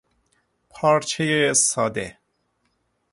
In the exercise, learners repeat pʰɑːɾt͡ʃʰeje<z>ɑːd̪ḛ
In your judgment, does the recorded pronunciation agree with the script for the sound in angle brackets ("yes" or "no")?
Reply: no